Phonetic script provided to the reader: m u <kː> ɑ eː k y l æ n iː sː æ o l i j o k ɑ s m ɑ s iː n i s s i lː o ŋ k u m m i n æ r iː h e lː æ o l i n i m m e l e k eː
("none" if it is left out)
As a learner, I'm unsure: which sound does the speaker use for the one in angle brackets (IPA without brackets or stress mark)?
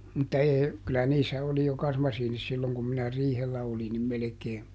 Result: tː